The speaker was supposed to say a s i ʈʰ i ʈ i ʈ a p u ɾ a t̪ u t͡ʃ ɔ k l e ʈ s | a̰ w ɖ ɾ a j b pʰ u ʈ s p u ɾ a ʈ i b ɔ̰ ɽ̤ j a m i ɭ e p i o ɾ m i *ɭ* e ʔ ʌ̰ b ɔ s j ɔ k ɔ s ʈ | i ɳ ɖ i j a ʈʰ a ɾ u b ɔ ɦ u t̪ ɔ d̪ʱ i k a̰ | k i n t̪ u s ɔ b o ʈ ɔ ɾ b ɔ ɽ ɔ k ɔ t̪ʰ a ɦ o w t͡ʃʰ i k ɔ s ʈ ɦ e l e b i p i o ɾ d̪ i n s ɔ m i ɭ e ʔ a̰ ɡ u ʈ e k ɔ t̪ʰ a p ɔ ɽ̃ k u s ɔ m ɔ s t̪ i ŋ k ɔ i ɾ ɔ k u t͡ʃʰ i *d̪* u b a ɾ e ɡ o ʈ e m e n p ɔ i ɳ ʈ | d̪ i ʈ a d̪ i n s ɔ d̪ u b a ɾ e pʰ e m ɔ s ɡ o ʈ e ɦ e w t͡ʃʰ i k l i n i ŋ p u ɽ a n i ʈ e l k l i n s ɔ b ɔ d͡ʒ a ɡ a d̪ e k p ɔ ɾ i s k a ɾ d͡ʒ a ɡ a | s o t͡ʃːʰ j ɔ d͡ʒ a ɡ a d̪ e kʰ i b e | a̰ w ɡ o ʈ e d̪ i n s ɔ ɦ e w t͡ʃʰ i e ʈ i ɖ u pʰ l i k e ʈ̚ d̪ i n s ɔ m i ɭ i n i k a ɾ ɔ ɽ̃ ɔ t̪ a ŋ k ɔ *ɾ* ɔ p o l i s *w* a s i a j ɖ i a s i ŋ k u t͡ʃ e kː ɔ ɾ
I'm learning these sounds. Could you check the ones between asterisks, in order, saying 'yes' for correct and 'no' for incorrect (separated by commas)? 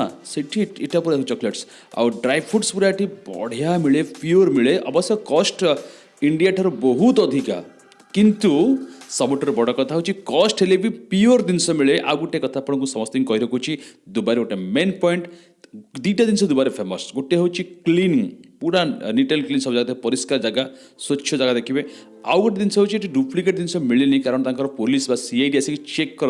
yes, yes, yes, no